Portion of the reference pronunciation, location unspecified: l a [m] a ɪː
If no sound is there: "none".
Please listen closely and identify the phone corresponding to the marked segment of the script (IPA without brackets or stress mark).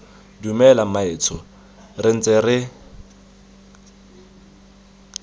m